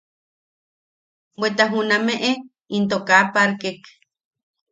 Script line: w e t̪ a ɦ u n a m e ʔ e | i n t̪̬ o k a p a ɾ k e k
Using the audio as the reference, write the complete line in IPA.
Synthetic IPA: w e t̪ a ɦ u n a m e ʔ e | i n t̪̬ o k a p a ɾ k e k